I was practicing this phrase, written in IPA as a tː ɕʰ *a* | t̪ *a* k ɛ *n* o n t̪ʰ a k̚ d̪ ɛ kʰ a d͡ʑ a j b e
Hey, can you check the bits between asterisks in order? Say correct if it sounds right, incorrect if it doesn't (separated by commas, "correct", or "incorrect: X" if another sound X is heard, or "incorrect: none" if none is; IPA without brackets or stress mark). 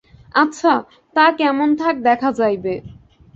correct, correct, incorrect: m